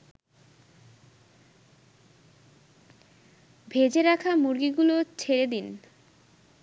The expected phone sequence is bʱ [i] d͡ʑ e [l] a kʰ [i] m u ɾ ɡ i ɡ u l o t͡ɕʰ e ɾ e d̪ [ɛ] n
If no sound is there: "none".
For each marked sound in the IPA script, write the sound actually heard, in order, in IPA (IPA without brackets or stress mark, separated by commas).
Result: e, ɾ, a, i